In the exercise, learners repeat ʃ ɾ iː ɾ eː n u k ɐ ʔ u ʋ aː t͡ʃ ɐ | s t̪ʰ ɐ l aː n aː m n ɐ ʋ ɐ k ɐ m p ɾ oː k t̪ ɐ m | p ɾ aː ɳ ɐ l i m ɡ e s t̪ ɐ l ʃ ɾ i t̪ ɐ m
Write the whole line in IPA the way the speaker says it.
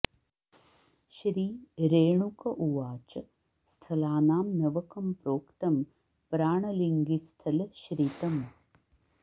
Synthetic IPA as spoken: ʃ ɾ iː ɾ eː ɳ u k ɐ ʔ u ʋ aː t͡ʃ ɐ | s t̪ʰ ɐ l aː n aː m n ɐ ʋ ɐ k ɐ m p ɾ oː k t̪ ɐ m | p ɾ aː ɳ ɐ l i ŋ ɡ i s t̪ʰ ɐ l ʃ ɾ i t̪ ɐ m